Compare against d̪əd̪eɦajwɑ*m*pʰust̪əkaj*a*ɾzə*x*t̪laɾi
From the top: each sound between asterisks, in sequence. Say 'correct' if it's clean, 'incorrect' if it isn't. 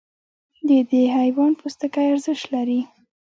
incorrect, correct, incorrect

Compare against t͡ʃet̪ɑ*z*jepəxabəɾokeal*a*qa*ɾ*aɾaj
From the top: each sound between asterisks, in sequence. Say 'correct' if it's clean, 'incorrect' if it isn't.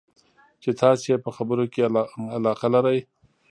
incorrect, incorrect, incorrect

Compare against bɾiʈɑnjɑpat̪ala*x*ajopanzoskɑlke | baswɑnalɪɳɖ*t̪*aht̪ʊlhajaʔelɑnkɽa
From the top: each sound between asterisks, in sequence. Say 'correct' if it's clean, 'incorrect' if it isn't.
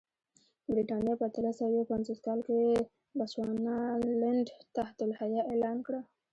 incorrect, correct

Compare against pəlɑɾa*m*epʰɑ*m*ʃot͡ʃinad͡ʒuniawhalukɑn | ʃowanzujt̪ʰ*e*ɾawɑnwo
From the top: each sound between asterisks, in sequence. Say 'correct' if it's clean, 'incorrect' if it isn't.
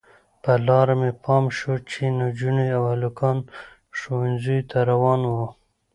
correct, correct, incorrect

